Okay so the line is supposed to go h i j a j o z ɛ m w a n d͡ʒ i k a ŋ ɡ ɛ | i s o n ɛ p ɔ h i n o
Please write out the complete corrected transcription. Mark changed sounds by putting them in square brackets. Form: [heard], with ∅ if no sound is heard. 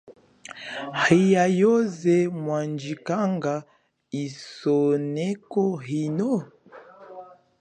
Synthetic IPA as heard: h i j a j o z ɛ m w a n d͡ʒ i k a ŋ ɡ [a] | i s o n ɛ [k] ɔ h i n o